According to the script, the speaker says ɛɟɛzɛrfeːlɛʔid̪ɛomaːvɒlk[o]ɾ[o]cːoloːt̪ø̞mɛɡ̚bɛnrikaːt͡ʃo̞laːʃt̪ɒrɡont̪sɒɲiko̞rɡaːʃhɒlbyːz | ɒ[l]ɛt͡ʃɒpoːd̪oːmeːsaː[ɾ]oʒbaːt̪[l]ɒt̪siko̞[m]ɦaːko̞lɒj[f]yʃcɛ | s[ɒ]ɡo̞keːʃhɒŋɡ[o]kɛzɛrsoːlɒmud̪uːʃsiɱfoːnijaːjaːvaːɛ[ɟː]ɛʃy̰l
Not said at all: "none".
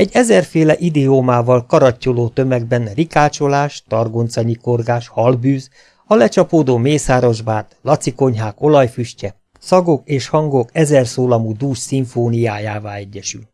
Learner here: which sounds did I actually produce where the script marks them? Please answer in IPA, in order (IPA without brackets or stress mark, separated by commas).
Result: ɒ, ɒ, l, ɾ, l, ɲ, f, ɒ, o, ɟː